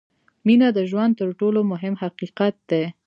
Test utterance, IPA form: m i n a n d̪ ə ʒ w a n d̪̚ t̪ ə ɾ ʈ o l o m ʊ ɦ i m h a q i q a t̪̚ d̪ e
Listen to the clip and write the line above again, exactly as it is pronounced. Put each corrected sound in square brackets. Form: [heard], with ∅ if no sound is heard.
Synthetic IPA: m i n a [∅] d̪ ə ʒ w a n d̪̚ t̪ ə ɾ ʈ o l o m ʊ ɦ [ɪ] m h a q i q a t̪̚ d̪ e